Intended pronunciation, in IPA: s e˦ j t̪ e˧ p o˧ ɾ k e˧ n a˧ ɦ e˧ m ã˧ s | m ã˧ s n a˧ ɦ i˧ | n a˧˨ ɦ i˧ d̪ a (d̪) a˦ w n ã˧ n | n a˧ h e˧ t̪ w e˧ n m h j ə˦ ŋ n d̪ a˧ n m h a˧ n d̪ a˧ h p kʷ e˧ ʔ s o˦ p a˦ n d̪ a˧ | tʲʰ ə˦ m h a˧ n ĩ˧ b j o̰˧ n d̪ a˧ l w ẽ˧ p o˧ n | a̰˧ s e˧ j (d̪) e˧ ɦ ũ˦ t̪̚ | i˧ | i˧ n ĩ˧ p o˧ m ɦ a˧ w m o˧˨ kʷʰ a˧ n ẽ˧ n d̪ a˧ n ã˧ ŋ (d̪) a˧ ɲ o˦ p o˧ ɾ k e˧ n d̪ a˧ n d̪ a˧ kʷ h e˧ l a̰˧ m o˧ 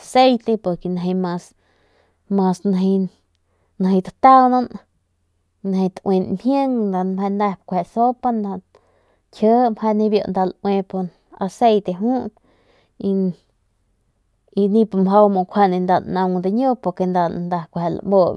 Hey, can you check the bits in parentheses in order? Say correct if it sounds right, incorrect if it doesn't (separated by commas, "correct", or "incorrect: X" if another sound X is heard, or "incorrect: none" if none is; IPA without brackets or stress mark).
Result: incorrect: t̪, incorrect: t̪, correct